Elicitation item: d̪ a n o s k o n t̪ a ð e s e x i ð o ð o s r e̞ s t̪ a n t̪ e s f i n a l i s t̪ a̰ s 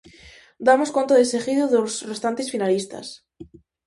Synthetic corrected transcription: d̪ a m o s k o n t̪ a ð e s e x i ð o ð o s r e̞ s t̪ a n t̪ e s f i n a l i s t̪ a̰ s